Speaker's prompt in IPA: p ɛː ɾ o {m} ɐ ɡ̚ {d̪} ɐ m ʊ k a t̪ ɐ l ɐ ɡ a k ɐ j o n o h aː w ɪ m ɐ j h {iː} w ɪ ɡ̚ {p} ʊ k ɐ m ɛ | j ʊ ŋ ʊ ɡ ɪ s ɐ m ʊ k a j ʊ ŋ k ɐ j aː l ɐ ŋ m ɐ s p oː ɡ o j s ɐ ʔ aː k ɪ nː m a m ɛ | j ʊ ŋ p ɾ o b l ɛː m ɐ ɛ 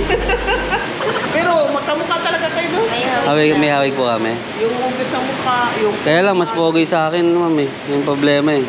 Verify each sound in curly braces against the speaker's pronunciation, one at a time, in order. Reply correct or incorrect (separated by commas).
correct, incorrect, incorrect, correct